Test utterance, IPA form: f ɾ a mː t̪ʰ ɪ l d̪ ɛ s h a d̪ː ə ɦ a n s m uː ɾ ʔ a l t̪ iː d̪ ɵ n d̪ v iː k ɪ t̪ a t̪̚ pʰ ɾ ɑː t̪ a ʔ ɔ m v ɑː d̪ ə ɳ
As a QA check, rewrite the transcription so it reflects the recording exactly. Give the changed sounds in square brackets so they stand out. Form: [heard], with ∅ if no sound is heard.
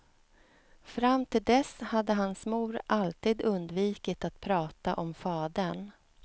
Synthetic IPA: f ɾ a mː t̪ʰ ɪ l d̪ ɛ s h a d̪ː ə ɦ a n s m uː ɾ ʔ a l t̪ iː d̪ ɵ n d̪ v iː k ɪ t̪ a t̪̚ pʰ ɾ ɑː t̪ a ʔ ɔ m [f] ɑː d̪ ə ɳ